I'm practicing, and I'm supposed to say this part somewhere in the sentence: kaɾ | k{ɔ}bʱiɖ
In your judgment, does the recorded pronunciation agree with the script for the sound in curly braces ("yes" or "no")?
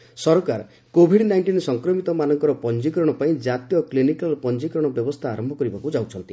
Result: no